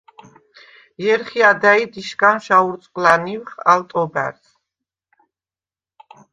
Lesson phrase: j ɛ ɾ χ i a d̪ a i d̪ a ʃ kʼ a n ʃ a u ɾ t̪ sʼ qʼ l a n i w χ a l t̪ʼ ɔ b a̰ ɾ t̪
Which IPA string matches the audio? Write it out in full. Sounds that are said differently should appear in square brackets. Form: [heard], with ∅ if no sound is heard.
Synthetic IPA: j ɛ ɾ χ i a d̪ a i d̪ [i] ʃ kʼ a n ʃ a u ɾ t̪ sʼ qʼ l a n i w χ a l t̪ʼ ɔ b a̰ ɾ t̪